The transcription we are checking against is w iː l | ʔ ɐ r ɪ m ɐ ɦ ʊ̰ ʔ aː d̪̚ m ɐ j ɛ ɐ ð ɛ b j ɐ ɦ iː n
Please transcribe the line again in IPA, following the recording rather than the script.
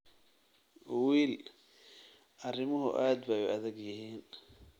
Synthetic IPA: w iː l | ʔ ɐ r ɪ m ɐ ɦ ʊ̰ ʔ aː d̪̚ b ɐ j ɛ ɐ ð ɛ ɡ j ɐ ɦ iː n